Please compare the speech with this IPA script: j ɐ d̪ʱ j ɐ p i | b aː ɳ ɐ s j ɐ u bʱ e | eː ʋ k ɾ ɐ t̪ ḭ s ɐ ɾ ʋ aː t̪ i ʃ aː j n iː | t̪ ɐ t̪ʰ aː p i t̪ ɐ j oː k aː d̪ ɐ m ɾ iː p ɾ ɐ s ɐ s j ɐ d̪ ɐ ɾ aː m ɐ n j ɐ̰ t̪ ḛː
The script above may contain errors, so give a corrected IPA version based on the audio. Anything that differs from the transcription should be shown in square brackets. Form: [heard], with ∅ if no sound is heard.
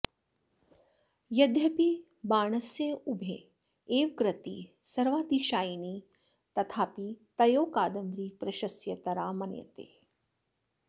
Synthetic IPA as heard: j ɐ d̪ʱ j ɐ p i | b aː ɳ ɐ s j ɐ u bʱ e | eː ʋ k ɾ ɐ t̪ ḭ s ɐ ɾ ʋ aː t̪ i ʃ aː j n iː | t̪ ɐ t̪ʰ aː p i t̪ ɐ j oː k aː d̪ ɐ m ɾ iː p ɾ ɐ [ʃ] ɐ s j ɐ [t̪] ɐ ɾ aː m ɐ n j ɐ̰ t̪ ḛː